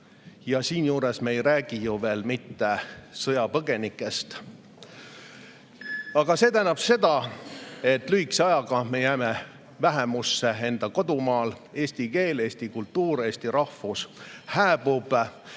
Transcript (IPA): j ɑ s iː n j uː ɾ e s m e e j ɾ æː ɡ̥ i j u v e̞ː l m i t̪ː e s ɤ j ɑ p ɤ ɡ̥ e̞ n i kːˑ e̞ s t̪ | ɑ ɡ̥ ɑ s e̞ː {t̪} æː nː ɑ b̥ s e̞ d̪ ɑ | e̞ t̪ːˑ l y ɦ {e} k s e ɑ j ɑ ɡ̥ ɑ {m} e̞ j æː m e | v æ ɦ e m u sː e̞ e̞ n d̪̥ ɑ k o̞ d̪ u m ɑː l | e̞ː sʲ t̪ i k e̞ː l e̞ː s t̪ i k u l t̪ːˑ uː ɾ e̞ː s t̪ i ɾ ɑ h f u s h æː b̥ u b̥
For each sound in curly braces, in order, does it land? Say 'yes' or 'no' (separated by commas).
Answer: yes, no, yes